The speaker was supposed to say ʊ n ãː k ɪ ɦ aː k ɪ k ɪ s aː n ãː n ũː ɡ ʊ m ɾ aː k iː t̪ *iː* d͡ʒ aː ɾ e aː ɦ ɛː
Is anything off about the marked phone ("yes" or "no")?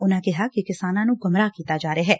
yes